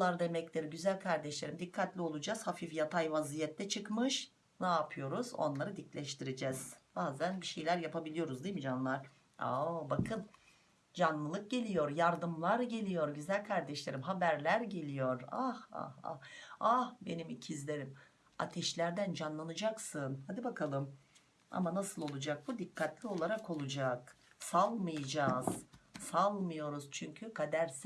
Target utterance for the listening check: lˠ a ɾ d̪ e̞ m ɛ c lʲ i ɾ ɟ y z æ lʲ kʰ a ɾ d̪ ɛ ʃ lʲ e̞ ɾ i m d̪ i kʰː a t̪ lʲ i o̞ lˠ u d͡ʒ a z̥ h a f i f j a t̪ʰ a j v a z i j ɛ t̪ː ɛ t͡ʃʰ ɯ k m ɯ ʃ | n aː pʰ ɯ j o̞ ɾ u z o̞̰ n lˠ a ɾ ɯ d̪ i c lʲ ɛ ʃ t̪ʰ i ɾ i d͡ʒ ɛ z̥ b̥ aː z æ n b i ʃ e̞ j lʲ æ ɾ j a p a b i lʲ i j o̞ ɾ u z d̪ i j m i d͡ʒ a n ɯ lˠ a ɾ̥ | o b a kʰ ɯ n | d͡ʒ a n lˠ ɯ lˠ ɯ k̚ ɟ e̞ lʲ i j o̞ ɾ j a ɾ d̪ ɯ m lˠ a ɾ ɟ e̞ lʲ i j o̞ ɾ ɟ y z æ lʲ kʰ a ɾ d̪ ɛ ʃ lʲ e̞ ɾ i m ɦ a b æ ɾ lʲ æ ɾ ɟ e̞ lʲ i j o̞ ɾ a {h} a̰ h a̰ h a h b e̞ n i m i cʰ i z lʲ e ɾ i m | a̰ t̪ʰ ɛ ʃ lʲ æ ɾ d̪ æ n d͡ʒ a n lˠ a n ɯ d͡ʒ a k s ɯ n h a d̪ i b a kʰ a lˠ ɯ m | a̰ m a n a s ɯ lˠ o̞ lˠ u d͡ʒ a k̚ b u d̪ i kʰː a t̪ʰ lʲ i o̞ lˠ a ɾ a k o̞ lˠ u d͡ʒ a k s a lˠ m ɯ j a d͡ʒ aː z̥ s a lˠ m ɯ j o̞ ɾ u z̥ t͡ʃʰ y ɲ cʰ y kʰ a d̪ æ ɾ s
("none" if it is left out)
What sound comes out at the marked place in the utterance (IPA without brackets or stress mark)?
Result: h